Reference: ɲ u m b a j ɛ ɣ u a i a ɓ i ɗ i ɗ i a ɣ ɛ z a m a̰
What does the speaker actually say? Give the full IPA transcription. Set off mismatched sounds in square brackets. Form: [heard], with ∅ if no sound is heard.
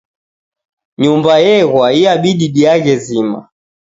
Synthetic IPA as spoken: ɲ u m b a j ɛ ɣ [w] a i a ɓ i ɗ i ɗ i a ɣ ɛ z [i] m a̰